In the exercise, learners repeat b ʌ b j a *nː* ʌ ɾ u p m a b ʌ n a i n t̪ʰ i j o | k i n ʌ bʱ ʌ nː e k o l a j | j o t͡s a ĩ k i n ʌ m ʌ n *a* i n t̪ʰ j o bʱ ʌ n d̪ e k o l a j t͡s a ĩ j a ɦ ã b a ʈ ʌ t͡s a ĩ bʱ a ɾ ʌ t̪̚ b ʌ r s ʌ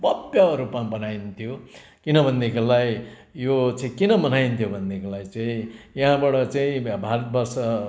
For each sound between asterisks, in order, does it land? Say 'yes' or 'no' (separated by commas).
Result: no, yes